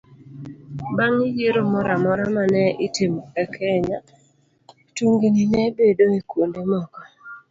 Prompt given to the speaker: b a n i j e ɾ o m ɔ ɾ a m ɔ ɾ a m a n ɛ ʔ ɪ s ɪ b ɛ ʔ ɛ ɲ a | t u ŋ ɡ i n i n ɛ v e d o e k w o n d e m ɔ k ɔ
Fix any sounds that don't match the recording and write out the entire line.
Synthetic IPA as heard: b a ŋ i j e ɾ o m ɔ ɾ a m ɔ ɾ a m a n ɛ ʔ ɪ t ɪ m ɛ k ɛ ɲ a | t u ŋ ɡ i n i n ɛ b e d o e k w o n d e m ɔ k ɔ